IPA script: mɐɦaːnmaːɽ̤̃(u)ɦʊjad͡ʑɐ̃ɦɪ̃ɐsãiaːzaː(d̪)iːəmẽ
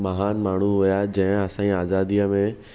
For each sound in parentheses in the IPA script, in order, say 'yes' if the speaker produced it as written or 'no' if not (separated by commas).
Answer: yes, yes